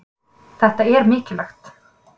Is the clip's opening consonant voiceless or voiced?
voiceless